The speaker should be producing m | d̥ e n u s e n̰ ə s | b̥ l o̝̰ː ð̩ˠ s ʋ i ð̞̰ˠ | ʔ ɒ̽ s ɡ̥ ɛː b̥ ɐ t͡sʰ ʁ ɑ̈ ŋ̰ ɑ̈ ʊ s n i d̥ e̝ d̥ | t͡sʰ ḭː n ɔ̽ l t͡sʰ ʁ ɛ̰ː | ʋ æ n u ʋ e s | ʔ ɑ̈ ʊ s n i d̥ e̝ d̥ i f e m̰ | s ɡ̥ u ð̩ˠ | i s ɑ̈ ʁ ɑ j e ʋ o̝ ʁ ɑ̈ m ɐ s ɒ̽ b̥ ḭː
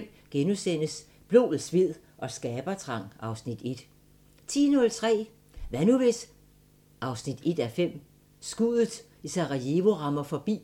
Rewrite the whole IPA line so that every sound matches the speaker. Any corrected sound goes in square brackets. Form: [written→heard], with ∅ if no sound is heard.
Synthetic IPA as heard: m | [d̥→ɡ̥] e n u s e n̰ ə s | b̥ l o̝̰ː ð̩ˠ s ʋ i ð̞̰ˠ | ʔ ɒ̽ s ɡ̥ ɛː b̥ ɐ t͡sʰ ʁ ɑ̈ ŋ̰ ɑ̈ ʊ s n i d̥ e̝ d̥ | t͡sʰ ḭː n ɔ̽ l t͡sʰ ʁ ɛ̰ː | ʋ æ n u ʋ e s | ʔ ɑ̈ ʊ s n i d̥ e̝ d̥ [i→æ] f e m̰ | s ɡ̥ u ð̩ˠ | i s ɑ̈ ʁ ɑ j e ʋ o̝ ʁ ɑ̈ m ɐ [s→f] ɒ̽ b̥ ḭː